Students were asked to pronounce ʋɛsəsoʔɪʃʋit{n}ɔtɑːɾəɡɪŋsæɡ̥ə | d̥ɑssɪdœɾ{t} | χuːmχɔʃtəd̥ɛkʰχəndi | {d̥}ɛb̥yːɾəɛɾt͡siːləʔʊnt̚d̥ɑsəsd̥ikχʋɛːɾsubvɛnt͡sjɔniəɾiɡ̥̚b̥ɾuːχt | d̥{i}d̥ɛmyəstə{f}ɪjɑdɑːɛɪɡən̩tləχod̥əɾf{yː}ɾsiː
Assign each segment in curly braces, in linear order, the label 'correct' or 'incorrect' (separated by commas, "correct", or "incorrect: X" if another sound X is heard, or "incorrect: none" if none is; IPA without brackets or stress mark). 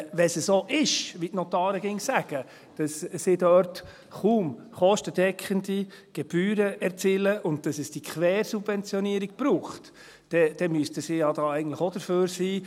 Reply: correct, correct, incorrect: ɡ̥, incorrect: ɛ, incorrect: s, incorrect: øː